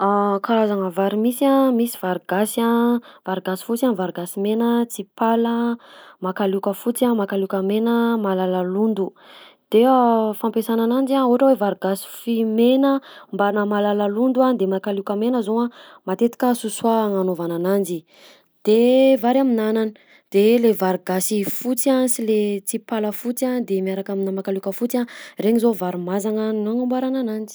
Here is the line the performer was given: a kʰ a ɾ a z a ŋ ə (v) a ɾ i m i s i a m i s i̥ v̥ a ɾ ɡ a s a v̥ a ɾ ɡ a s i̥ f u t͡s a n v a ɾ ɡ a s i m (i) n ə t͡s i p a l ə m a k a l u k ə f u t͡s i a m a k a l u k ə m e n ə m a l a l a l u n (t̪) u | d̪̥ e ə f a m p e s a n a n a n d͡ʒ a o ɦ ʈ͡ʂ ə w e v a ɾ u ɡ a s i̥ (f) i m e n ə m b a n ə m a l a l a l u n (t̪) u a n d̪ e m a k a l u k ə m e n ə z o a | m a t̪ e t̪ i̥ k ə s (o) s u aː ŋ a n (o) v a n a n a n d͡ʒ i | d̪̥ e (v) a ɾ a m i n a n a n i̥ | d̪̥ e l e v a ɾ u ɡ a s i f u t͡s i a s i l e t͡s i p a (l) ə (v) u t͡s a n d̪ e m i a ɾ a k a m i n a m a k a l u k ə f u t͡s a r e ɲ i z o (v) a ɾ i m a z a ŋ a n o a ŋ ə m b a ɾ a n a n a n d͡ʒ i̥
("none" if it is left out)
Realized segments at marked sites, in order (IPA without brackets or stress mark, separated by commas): v, e, d̪, f, d̪, u, o, v, l, f, v